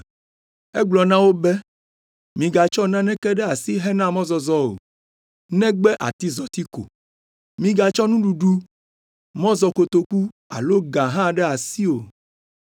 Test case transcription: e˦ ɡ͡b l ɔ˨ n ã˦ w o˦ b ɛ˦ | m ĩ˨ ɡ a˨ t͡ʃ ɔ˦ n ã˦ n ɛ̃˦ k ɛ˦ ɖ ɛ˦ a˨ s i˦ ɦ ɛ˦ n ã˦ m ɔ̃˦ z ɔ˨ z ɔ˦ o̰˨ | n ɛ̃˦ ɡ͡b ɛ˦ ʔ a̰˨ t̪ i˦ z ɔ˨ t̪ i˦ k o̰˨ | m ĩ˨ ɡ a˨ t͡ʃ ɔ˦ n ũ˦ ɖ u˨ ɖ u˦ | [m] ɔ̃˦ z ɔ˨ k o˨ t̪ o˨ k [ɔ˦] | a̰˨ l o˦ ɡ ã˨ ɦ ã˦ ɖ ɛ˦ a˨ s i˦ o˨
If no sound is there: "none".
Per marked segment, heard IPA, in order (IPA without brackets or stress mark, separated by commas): m, u˦